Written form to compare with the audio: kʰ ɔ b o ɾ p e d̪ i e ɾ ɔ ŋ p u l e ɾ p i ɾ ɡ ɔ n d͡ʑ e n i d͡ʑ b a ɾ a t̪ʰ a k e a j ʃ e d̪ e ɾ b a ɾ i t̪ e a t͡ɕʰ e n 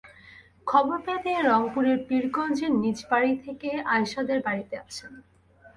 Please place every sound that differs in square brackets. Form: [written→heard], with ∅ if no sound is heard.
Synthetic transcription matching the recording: kʰ ɔ b o ɾ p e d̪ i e ɾ ɔ ŋ p u [l→ɾ] e ɾ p i ɾ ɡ ɔ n d͡ʑ e n i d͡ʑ b a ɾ [a→i] t̪ʰ [a→e] k e a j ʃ [e→a] d̪ e ɾ b a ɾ i t̪ e a t͡ɕʰ e n